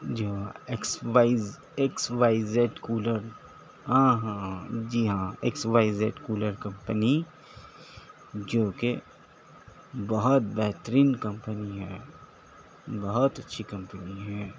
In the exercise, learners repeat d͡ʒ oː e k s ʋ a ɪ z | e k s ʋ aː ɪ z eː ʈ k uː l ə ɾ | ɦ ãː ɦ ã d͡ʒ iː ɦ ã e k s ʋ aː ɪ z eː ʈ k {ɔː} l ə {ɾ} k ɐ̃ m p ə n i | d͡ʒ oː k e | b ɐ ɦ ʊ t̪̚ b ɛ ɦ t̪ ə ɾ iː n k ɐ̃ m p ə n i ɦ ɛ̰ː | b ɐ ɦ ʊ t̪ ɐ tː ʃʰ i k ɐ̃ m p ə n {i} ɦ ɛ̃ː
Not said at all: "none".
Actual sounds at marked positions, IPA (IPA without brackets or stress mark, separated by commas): uː, ɾ, i